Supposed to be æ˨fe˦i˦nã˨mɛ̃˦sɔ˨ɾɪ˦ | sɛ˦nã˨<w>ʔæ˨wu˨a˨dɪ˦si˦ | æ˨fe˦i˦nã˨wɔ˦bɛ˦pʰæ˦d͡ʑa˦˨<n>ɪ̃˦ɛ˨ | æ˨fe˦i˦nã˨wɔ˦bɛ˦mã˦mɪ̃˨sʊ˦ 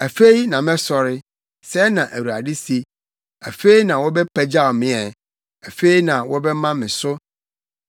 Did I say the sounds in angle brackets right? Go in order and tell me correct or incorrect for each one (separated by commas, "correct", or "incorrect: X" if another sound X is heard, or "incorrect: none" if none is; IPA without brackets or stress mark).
incorrect: none, incorrect: m